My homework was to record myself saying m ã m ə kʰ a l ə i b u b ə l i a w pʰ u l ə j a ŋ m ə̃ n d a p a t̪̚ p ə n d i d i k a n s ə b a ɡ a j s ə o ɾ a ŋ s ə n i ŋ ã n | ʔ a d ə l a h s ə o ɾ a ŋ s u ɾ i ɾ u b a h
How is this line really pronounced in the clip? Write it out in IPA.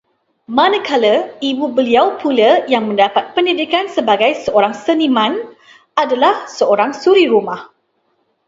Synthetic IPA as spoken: m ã n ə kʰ a l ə i b u b ə l i a w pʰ u l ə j a ŋ m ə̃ n d a p a t̪̚ p ə n d i d i k a n s ə b a ɡ a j s ə o ɾ a ŋ s ə n i m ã n | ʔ a d a l a h s ə o ɾ a ŋ s u ɾ i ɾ u m a h